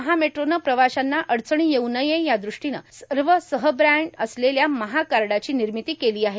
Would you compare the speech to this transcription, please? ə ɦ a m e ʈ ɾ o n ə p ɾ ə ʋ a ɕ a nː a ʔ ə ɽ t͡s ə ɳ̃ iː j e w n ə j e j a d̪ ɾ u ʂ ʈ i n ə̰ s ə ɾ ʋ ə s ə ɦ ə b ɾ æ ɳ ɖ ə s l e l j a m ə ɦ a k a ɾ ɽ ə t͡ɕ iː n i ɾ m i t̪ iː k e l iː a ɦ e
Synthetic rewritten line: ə ɦ a m e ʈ ɾ o n ə p ɾ ə ʋ a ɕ a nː a ʔ ə ɽ t͡s ə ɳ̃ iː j e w n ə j e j a d̪ ɾ u ʂ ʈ i n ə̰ s ə ɾ ʋ ə s ə ɦ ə b ɾ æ ɳ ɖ ə s l e l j a m ə ɦ a k a ɾ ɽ a t͡ɕ iː n i ɾ m i t̪ iː k e l iː a ɦ e